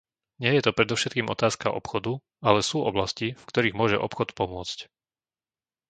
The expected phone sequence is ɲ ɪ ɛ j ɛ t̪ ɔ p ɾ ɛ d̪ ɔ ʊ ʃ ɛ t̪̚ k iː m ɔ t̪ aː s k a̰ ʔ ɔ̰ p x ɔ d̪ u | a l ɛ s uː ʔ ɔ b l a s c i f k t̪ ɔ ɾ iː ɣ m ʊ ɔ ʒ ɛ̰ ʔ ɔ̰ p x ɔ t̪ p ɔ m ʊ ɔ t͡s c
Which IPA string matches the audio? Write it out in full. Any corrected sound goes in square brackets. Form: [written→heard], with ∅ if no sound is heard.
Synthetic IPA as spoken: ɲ ɪ ɛ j ɛ t̪ ɔ p ɾ ɛ d̪ ɔ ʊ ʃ ɛ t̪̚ k iː m ɔ t̪ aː s k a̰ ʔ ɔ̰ p x ɔ d̪ u | a l ɛ s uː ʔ ɔ b l a s c i f k t̪ ɔ ɾ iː ɣ m ʊ ɔ ʒ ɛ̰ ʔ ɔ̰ p x ɔ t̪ p ɔ m ʊ ɔ t͡s c